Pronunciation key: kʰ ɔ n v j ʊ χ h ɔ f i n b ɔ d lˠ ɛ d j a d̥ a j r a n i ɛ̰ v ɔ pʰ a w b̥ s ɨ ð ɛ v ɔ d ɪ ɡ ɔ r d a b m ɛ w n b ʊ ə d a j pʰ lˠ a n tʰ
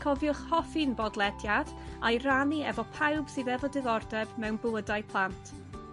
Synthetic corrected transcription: kʰ ɔ v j ʊ χ h ɔ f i n b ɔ d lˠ ɛ d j a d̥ a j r a n i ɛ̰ v ɔ pʰ a w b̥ s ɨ ð ɛ v ɔ d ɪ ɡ ɔ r d ɛ b m ɛ w n b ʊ ə d a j pʰ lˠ a n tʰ